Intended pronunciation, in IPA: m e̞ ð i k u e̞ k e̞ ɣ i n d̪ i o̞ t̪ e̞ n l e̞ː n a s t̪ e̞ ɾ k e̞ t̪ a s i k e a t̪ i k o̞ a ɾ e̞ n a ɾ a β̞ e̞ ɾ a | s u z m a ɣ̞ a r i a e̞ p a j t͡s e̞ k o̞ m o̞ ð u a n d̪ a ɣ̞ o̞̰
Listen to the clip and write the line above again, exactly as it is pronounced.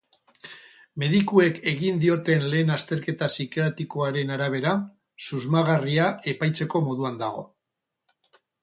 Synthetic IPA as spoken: m e̞ ð i k u e̞ k e̞ ɣ i n d̪ i o̞ t̪ e̞ n l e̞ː n a s t̪ e̞ ɾ k e̞ t̪ a s i k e a t̪ i k o̞ a ɾ e̞ n a ɾ a β̞ e̞ ɾ a | s u z m a ɣ̞ a r i a e̞ p a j t͡s e̞ k o̞ m o̞ ð u a n d̪ a ɣ̞ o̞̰